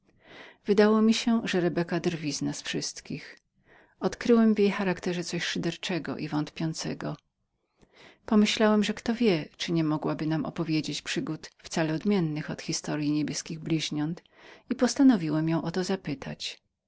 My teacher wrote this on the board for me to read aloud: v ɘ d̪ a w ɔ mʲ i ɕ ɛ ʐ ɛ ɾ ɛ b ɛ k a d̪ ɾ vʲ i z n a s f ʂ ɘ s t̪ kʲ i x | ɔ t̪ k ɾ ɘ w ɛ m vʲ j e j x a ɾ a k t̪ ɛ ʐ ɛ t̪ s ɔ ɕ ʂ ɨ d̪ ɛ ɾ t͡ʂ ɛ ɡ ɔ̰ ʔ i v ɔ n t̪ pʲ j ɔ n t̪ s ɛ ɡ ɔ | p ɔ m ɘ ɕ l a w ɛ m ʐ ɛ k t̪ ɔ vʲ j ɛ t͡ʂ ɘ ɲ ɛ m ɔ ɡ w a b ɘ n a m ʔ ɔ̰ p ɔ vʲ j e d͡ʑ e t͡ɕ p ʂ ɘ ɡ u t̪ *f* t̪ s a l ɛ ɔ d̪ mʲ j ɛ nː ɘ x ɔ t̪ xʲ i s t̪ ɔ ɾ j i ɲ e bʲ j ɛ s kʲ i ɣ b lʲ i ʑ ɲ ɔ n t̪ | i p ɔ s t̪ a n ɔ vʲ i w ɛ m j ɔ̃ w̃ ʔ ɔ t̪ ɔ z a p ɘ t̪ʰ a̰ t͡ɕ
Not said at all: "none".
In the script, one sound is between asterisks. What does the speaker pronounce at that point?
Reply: f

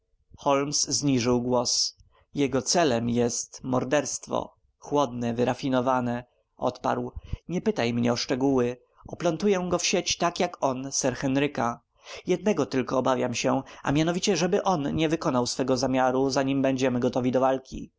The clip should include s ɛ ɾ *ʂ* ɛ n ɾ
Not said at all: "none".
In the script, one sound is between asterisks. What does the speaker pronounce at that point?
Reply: x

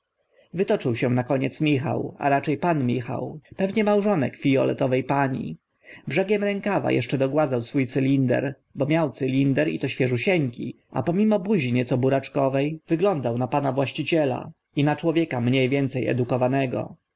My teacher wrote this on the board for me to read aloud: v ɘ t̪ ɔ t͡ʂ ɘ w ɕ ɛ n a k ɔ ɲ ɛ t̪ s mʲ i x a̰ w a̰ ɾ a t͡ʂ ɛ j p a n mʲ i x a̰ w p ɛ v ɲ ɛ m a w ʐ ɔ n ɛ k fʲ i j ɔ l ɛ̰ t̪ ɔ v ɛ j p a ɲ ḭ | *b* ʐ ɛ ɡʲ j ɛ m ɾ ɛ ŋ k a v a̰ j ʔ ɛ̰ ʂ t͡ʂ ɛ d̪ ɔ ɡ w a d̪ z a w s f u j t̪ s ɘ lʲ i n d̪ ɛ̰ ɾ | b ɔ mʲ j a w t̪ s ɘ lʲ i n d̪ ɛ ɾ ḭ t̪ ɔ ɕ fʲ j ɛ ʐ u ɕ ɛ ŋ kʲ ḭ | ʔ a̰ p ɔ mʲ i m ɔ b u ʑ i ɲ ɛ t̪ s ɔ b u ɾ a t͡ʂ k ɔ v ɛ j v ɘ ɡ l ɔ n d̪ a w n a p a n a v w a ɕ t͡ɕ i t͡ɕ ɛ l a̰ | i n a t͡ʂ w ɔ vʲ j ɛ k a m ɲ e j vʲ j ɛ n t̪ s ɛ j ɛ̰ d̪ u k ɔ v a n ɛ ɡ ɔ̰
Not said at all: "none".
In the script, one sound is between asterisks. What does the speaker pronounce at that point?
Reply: b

